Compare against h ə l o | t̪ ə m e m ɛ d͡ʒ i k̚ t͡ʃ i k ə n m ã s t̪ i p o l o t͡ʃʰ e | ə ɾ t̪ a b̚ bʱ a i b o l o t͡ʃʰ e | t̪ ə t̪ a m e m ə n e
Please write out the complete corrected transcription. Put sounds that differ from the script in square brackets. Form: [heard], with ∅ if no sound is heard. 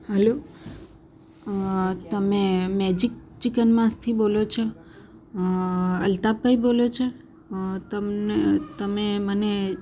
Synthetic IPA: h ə l o | t̪ ə m e m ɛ d͡ʒ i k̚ t͡ʃ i k ə n m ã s [t̪ʰ] i [b] o l o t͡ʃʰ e | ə [l] t̪ a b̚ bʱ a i b o l o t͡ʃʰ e | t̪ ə t̪ [ə] m e m ə n e